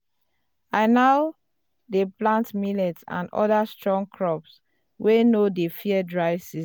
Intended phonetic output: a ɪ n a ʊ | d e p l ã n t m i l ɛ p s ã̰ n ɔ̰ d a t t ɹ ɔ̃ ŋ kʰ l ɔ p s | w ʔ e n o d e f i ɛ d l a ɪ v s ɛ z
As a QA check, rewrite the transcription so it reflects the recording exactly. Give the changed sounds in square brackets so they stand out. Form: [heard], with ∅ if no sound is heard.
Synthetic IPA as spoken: a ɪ n a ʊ | d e p l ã n t m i l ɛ [t] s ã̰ n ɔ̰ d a [s] t ɹ ɔ̃ ŋ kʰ [ɹ] ɔ p s | w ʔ e n o d e f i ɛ d [ɹ] a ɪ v s [i] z